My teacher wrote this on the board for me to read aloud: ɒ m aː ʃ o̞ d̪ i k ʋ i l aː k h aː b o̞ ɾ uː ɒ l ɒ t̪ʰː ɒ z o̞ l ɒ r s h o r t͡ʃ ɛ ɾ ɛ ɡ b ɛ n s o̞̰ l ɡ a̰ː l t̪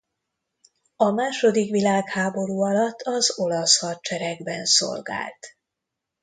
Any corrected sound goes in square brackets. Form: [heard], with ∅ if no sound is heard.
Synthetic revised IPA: ɒ m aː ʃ o̞ d̪ i k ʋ i l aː k h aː b o̞ ɾ uː ɒ l ɒ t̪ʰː ɒ z o̞ l ɒ [∅] s h [ɒ] r t͡ʃ ɛ ɾ ɛ ɡ b ɛ n s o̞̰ l ɡ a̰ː l t̪